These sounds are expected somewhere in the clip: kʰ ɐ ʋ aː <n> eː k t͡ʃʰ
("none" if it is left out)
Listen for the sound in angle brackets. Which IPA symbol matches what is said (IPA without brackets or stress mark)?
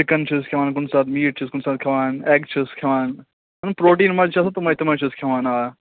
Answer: n